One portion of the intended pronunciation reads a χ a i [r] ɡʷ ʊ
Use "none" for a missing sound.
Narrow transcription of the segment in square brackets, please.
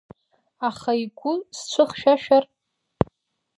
none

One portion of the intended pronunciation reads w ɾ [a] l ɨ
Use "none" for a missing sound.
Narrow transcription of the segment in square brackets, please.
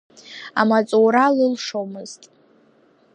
a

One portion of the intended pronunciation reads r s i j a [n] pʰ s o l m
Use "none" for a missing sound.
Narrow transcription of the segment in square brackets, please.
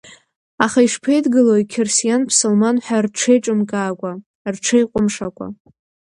n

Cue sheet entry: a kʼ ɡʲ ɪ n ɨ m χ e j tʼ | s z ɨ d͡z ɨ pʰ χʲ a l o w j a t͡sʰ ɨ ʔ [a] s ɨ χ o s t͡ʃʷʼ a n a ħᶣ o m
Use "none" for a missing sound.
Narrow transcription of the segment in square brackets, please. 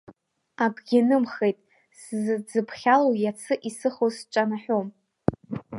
i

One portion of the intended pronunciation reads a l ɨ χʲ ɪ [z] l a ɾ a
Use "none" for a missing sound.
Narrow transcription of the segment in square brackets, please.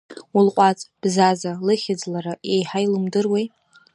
d͡z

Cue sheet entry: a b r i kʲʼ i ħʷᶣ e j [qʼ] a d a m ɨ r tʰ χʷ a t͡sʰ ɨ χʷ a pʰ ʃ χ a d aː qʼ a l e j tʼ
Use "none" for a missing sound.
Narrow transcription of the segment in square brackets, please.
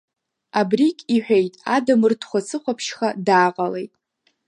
tʼ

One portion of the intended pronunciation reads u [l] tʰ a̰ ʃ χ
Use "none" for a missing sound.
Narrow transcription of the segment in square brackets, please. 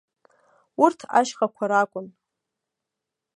r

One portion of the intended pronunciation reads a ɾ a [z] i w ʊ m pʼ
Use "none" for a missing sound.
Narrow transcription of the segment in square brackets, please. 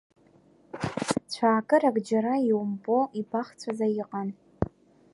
none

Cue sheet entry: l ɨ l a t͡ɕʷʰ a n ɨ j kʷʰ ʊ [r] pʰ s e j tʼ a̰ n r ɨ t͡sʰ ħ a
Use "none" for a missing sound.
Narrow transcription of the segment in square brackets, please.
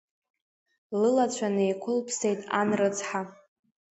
l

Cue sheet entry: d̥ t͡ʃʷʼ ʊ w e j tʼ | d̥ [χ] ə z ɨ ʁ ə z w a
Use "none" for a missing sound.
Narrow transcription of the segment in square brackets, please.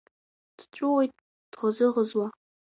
ʁ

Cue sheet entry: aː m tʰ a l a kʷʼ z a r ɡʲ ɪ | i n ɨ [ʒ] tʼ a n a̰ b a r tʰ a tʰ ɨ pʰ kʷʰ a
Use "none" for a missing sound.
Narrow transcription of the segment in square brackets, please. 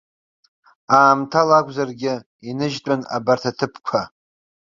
ʒ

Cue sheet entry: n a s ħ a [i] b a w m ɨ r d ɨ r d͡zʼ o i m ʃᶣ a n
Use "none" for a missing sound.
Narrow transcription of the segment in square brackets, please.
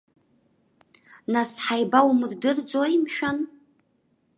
j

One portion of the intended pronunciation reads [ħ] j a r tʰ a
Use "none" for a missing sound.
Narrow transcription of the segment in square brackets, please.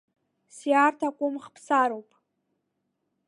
s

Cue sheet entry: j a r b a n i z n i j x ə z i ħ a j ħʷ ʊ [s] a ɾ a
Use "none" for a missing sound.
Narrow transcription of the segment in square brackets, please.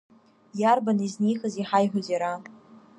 z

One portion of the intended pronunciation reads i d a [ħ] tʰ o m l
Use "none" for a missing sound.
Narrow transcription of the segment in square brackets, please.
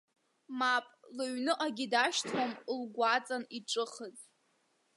ʃ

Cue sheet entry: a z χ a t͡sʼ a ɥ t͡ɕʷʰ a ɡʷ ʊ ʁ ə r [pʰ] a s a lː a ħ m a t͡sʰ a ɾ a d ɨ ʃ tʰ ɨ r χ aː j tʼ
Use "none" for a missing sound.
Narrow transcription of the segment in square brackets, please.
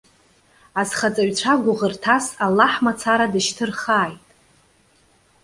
tʰ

